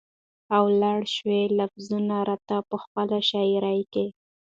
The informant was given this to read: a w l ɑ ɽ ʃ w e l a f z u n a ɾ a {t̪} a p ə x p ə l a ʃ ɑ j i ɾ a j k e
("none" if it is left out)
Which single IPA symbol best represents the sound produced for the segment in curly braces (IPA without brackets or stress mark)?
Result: t̪